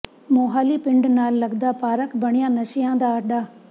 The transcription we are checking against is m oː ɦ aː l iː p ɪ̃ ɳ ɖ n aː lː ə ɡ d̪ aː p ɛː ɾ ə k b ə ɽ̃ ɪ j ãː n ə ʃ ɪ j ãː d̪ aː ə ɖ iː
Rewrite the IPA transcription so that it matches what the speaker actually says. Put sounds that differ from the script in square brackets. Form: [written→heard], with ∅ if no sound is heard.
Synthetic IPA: m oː ɦ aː l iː p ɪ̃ ɳ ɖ n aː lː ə ɡ d̪ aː p [ɛː→aː] ɾ ə k b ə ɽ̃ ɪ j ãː n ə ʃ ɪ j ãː d̪ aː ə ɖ [iː→aː]